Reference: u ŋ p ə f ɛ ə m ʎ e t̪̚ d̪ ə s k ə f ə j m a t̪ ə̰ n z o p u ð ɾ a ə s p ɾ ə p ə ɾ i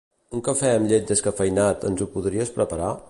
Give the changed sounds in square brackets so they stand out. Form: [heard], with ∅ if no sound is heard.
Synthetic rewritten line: u ŋ [k] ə f ɛ ə m ʎ e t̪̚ d̪ ə s k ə f ə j [n] a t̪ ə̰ n z [u] p u ð ɾ [i] ə s p ɾ ə p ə ɾ [a]